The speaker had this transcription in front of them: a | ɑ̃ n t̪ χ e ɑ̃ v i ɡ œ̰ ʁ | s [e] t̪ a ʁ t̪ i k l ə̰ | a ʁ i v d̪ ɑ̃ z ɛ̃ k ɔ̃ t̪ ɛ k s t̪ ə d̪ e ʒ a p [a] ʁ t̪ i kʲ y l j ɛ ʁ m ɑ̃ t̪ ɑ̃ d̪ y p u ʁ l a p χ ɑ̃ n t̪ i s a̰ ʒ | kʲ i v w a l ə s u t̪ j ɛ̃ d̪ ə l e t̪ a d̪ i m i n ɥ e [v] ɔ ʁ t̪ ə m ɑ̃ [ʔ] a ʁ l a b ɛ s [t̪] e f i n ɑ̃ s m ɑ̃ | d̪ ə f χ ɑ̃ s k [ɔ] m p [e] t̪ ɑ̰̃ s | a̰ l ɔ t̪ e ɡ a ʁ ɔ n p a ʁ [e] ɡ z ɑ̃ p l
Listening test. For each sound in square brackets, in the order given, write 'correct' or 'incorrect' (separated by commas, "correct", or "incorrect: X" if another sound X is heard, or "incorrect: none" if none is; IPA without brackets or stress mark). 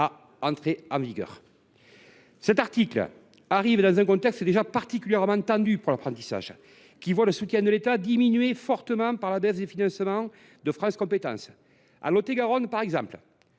incorrect: ɛ, correct, incorrect: f, incorrect: p, incorrect: d̪, incorrect: ɔ̃, correct, incorrect: ɛ